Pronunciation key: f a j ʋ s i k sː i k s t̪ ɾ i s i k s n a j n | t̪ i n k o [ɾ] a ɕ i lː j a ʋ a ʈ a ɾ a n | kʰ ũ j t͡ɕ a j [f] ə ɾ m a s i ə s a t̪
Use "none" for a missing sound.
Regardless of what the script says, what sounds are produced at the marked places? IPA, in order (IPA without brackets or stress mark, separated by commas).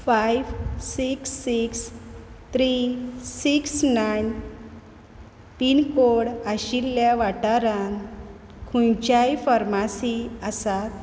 ɽ, f